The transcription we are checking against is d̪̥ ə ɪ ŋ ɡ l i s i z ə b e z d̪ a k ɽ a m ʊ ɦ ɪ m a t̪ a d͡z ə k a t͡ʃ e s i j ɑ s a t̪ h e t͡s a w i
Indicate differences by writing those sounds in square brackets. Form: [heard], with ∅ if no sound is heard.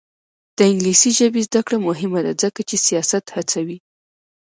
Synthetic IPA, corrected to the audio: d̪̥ ə ɪ ŋ ɡ l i s i [ʒ] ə b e z d̪ a k ɽ a m ʊ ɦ ɪ m a [d̪] a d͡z ə k a t͡ʃ e s i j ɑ s a t̪ h [a] t͡s a w i